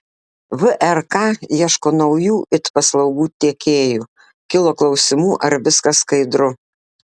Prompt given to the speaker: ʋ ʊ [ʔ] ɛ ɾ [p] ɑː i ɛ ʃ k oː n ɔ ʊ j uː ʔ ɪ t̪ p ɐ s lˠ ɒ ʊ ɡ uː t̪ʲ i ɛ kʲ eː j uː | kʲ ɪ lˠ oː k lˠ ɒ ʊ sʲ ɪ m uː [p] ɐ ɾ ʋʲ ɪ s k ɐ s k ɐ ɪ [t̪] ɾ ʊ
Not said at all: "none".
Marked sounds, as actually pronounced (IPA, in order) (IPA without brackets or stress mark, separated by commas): ʔ, k, ʔ, d̪